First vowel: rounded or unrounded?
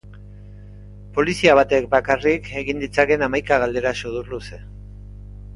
rounded